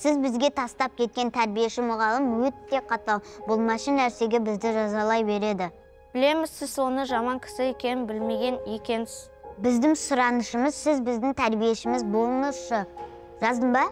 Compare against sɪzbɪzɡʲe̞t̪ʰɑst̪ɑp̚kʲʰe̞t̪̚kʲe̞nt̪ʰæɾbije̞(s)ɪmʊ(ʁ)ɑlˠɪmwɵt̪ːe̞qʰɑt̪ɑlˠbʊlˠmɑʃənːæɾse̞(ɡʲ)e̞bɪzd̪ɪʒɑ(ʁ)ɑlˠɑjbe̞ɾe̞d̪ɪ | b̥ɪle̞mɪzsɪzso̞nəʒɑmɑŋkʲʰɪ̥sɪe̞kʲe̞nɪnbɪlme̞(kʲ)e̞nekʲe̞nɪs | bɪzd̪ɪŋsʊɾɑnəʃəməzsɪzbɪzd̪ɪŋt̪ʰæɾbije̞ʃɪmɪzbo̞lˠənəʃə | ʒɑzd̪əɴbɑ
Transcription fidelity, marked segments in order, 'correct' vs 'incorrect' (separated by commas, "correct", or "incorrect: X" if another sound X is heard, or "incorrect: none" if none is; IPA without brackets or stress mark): incorrect: ʃ, correct, correct, incorrect: z, incorrect: ɡʲ